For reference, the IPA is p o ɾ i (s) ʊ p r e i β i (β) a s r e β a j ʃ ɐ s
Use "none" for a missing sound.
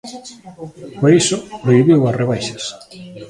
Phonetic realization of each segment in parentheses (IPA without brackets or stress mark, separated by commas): s, w